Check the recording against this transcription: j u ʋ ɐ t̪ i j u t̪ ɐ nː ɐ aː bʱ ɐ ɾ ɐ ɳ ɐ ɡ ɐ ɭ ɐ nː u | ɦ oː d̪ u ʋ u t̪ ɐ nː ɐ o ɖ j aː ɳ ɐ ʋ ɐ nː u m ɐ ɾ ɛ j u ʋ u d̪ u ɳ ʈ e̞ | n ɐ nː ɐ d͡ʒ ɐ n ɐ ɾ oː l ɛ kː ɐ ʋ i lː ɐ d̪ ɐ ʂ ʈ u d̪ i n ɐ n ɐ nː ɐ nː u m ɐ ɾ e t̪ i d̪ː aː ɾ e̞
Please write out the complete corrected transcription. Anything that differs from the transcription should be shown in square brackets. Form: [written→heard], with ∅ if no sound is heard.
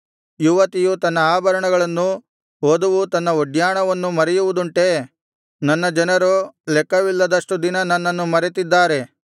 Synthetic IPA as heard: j u ʋ ɐ t̪ i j u t̪ ɐ nː ɐ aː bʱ ɐ ɾ ɐ ɳ ɐ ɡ ɐ ɭ ɐ nː u | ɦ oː d̪ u ʋ u t̪ ɐ nː ɐ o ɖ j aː ɳ ɐ ʋ ɐ nː u m ɐ ɾ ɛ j u ʋ u d̪ u ɳ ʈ e̞ | n ɐ nː ɐ d͡ʒ ɐ n ɐ ɾ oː l ɛ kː ɐ ʋ i lː ɐ d̪ ɐ ʂ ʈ u d̪ i n ɐ n ɐ nː ɐ nː u m ɐ ɾ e t̪ i d̪ː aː ɾ e̞